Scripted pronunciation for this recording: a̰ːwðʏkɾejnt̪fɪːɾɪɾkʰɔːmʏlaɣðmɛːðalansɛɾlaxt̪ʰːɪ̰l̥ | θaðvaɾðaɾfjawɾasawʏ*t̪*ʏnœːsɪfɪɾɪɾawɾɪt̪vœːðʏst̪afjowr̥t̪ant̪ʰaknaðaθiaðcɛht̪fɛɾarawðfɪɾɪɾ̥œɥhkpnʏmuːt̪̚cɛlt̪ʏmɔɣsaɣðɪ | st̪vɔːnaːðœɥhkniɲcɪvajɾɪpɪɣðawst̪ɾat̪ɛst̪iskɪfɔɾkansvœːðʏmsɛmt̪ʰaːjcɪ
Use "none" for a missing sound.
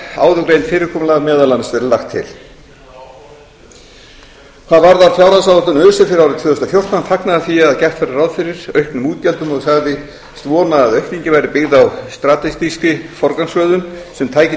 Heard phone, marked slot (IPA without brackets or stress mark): t̪